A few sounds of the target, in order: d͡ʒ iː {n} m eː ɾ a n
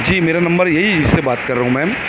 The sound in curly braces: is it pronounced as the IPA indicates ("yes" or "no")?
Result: no